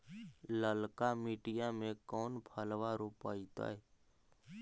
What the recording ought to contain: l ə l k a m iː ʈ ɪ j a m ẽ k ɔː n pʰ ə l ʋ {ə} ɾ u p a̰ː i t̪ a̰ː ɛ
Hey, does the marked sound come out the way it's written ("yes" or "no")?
no